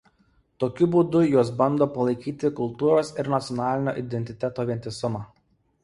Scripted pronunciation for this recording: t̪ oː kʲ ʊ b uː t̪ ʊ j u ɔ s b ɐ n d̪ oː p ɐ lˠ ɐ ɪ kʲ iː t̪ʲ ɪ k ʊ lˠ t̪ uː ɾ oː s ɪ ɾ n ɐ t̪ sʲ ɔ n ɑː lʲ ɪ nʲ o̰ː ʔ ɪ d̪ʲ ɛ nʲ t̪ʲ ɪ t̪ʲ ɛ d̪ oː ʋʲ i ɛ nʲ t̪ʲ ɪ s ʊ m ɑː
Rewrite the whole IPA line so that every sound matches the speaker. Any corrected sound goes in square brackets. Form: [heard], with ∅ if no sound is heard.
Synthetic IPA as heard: t̪ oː kʲ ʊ b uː [d̪] ʊ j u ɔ s b ɐ n d̪ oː p ɐ lˠ ɐ ɪ kʲ iː t̪ʲ ɪ k ʊ lˠ t̪ uː ɾ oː s ɪ ɾ n ɐ t̪ sʲ ɔ n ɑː lʲ ɪ nʲ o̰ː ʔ ɪ d̪ʲ ɛ nʲ t̪ʲ ɪ t̪ʲ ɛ [t̪] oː ʋʲ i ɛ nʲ t̪ʲ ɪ s ʊ m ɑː